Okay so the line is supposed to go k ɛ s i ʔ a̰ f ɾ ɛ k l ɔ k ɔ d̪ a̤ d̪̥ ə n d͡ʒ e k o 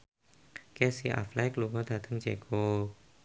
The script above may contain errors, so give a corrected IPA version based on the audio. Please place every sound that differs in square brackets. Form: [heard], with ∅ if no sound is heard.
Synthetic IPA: k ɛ s i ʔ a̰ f [l] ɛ k l [u] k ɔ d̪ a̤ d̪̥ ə [ŋ] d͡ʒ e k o